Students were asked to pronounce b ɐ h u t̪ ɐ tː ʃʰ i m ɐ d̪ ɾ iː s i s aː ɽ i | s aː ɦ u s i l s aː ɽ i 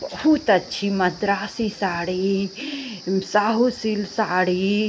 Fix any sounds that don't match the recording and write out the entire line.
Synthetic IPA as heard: b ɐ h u t̪ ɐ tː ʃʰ i m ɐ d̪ ɾ aː s i s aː ɽ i | s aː ɦ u s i l s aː ɽ i